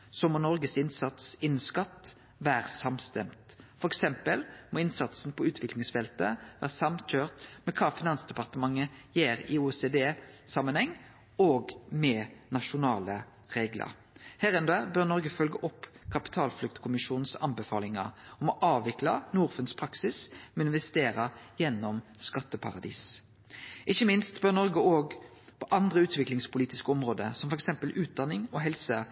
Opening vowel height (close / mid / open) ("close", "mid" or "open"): mid